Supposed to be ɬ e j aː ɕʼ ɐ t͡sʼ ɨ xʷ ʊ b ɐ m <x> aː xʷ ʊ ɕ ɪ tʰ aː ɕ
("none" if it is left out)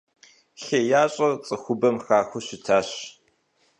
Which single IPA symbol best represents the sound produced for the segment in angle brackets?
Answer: x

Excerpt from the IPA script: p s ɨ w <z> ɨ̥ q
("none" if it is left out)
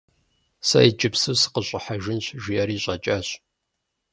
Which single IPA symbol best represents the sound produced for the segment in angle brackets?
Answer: s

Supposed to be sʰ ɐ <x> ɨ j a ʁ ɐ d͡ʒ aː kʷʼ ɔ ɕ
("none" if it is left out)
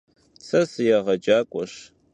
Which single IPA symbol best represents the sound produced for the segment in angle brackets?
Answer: s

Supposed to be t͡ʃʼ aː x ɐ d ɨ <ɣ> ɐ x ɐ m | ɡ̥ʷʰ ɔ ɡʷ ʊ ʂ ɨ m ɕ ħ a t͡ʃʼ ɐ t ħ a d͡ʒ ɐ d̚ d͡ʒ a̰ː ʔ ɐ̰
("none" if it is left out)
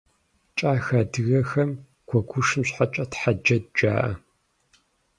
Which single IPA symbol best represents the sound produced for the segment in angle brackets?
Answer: ɣ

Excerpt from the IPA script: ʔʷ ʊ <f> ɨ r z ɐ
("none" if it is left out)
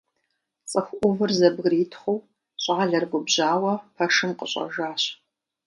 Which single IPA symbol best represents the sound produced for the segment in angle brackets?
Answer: v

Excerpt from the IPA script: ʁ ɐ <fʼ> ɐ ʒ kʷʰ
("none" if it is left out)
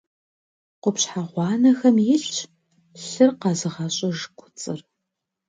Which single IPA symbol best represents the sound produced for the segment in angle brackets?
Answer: ɕʼ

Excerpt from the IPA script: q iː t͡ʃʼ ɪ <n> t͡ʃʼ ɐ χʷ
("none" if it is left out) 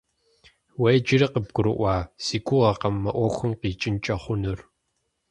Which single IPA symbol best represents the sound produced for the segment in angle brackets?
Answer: n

